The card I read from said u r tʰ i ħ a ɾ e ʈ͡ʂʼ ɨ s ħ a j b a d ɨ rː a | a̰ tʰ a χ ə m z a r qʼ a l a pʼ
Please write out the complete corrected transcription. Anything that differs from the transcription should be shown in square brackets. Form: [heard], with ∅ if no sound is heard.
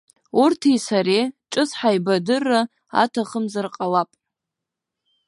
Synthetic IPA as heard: u r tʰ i [s] a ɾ e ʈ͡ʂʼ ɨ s ħ a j b a d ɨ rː a | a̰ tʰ a χ ə m z a r qʼ a l a pʼ